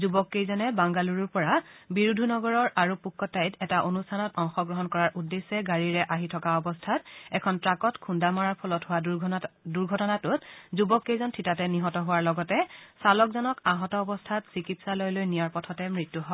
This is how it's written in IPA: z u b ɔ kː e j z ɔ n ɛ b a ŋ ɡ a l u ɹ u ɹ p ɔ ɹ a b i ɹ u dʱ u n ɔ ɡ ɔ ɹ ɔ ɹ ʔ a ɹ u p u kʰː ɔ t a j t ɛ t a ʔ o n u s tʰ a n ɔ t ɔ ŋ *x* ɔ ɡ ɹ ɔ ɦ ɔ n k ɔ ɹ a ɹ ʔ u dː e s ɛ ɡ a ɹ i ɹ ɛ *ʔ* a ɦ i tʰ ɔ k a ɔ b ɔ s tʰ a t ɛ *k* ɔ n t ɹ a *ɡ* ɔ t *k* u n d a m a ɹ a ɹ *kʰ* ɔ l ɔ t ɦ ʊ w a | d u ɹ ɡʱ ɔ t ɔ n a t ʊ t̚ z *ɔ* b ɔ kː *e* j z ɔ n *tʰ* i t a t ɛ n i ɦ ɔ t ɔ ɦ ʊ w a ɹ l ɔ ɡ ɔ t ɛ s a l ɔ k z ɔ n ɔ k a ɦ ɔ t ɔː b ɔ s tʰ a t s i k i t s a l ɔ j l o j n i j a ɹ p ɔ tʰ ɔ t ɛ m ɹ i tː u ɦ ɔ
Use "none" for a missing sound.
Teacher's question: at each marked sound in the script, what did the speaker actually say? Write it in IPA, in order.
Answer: x, ʔ, kʰ, k, kʰ, pʰ, u, e, tʰ

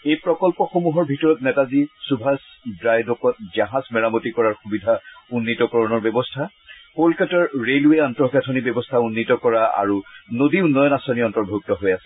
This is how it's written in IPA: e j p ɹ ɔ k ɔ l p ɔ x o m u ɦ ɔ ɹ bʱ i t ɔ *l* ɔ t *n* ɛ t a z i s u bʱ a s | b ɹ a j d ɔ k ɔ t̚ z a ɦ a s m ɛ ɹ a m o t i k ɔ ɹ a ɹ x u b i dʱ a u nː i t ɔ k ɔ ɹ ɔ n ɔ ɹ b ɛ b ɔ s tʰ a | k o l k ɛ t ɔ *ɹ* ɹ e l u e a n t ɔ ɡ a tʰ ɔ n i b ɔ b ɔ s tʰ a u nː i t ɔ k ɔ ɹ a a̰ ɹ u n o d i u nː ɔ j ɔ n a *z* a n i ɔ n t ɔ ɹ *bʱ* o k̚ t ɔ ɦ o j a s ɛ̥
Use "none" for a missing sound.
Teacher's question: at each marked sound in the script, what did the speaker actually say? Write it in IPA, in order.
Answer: ɹ, n, ɹ, s, bʱ

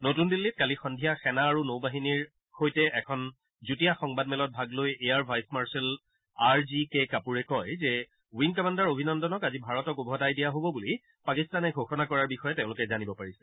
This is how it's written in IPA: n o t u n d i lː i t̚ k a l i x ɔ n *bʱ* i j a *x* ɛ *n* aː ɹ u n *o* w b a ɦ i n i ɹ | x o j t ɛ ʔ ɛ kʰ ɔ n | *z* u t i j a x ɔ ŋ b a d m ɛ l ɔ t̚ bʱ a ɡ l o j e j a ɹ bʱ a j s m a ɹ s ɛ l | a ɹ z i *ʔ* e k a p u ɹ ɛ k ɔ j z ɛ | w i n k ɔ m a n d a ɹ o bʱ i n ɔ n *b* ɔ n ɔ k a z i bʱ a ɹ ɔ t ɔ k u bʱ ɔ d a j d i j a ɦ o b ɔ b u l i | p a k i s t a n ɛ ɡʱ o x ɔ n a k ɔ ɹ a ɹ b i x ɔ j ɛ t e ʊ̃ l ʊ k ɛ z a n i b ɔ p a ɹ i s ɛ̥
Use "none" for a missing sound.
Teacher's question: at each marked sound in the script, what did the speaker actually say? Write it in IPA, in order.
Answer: dʱ, x, n, o, z, k, d

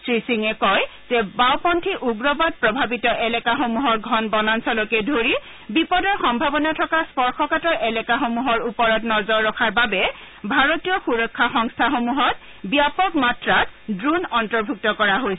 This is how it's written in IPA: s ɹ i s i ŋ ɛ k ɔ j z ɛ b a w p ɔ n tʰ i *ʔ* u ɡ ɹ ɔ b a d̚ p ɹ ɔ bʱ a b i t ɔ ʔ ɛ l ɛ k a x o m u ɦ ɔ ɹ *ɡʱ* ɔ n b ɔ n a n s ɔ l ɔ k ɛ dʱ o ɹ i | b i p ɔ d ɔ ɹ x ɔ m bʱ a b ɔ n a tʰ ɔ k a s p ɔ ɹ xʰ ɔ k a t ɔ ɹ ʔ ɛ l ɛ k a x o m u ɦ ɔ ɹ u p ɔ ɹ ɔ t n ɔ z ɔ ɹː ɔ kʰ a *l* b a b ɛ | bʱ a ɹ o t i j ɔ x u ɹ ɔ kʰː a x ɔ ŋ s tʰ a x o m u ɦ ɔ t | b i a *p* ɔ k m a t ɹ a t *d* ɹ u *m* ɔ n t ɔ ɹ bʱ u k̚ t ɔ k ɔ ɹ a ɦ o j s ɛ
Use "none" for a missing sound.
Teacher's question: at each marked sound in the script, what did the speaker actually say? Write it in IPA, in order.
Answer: ʔ, ɡʱ, ɹ, p, d, n

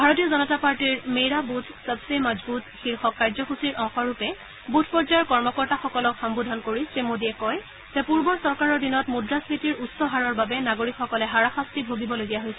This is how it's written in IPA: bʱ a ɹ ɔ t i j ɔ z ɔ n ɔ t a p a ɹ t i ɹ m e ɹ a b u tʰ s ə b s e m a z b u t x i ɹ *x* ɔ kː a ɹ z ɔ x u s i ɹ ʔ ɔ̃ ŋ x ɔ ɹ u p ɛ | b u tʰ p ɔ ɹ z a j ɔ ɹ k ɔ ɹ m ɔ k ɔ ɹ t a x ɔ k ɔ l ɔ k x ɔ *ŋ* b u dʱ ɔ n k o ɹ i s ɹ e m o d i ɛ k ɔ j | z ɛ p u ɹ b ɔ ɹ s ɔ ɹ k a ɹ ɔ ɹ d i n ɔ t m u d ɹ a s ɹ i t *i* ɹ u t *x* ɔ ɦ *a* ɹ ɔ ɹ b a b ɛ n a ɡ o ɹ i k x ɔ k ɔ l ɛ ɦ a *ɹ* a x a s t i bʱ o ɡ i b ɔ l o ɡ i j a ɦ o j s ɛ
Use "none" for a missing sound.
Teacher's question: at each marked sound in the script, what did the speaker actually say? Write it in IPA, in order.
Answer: x, m, i, s, a, ɹ

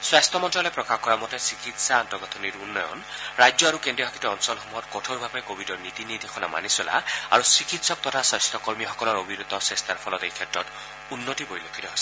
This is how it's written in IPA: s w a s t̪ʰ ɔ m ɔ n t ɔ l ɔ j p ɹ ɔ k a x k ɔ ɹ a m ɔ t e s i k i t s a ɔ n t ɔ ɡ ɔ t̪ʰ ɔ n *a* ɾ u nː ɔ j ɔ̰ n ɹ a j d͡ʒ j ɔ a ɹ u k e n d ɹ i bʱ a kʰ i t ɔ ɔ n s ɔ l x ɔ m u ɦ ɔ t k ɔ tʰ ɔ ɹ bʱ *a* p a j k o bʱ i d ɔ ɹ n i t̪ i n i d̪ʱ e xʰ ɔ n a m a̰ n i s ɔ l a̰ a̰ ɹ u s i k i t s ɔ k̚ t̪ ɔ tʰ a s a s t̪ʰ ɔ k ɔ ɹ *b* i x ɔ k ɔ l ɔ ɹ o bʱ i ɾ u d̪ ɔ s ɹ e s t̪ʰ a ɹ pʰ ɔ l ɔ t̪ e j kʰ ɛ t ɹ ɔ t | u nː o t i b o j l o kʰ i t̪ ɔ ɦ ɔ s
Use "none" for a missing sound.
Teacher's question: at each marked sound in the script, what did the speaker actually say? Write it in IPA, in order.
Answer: i, a, m

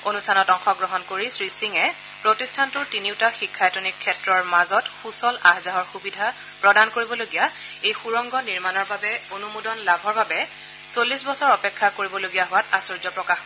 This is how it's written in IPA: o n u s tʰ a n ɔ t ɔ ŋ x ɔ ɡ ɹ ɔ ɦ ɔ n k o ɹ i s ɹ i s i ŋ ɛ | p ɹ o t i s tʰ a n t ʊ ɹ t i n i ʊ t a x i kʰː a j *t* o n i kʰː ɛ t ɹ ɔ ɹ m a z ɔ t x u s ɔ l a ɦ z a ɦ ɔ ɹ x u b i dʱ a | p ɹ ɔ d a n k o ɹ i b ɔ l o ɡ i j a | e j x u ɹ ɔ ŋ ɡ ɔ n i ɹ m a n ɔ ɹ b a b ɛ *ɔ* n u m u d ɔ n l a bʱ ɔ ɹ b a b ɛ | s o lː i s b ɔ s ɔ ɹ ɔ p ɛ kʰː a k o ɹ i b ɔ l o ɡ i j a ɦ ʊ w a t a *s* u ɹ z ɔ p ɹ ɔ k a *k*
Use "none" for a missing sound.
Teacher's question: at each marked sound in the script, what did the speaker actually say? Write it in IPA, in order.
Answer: t, o, s, x

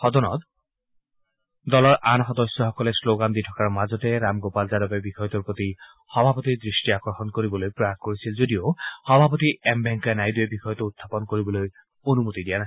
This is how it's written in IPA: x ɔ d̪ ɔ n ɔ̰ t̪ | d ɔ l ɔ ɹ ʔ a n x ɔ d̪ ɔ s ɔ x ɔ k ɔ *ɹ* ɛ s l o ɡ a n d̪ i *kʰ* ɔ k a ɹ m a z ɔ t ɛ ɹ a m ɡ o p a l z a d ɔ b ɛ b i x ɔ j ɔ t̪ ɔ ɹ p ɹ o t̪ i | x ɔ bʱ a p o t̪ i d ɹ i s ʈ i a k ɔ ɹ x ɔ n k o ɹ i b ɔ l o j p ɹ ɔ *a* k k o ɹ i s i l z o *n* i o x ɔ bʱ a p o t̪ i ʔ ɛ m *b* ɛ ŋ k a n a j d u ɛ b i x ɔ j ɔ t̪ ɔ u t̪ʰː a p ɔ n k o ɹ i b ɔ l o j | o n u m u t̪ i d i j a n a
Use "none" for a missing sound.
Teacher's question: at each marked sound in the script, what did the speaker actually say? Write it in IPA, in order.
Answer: l, tʰ, a, d, b

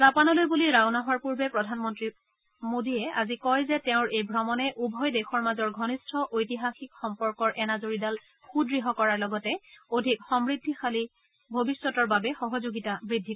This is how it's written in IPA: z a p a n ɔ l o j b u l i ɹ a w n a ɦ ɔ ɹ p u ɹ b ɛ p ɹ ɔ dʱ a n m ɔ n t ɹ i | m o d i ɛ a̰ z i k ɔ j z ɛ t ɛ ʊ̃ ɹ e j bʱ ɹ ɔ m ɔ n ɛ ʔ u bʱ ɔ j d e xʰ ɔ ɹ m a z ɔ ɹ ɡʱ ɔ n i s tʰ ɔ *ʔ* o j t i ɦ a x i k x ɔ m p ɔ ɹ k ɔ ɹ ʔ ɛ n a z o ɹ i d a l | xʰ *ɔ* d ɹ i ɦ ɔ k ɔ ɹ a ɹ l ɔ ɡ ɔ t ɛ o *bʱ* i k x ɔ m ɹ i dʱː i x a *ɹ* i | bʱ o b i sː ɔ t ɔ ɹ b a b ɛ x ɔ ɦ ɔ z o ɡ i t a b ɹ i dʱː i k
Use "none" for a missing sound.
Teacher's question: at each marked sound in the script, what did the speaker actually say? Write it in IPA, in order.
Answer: ʔ, u, dʱ, l

